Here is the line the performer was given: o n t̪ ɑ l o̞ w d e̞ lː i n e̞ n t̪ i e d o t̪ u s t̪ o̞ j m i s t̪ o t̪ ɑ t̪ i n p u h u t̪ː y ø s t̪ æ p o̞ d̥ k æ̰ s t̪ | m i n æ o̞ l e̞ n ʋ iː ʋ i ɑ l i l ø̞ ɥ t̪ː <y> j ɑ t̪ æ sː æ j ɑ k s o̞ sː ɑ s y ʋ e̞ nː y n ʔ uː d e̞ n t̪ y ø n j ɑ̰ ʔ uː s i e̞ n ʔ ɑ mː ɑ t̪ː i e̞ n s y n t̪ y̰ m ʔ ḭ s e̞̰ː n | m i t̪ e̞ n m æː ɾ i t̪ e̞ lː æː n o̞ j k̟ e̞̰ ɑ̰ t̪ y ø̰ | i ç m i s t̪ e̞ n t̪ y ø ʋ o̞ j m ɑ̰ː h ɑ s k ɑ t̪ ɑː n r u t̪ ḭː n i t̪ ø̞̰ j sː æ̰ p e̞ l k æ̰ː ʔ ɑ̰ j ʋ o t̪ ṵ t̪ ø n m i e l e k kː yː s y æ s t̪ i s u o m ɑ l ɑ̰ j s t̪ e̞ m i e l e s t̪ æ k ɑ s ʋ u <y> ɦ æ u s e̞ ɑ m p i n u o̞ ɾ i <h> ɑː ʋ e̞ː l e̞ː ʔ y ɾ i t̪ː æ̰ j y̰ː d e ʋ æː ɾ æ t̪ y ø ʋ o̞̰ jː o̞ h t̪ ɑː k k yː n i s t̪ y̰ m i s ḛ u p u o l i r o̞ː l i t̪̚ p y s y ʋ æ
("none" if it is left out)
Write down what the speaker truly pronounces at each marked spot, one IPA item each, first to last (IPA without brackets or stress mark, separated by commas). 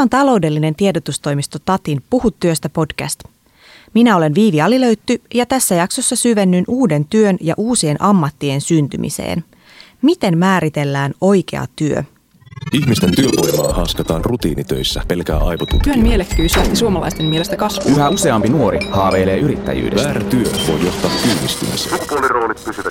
y, y, h